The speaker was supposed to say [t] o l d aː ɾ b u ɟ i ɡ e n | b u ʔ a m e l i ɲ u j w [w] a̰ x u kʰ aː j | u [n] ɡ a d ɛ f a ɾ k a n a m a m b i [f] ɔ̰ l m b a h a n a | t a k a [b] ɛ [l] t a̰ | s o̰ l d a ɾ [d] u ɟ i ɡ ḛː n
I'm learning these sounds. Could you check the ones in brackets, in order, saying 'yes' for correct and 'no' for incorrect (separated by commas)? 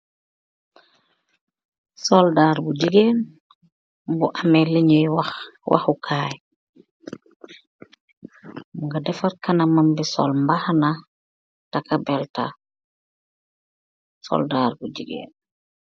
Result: no, yes, no, no, yes, yes, no